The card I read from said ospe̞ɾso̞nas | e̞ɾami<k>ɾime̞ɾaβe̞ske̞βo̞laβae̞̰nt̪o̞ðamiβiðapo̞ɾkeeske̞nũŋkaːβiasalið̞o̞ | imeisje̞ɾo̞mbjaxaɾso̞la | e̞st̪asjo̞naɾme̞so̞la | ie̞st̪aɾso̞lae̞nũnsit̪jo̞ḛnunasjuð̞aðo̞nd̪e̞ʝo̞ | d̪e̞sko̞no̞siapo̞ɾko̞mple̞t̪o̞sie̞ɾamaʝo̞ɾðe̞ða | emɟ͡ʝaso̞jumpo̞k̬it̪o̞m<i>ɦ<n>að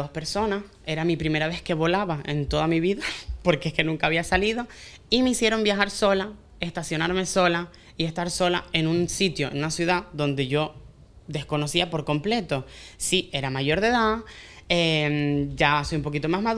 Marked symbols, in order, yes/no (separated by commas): no, no, no